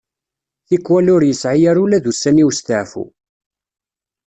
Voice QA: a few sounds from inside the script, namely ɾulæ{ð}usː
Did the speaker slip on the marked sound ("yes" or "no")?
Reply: no